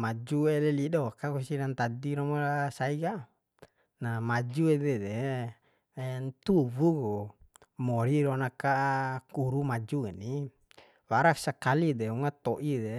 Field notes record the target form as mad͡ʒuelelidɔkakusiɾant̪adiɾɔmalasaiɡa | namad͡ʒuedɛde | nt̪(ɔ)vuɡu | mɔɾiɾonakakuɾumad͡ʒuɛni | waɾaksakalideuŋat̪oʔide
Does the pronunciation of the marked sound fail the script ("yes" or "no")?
yes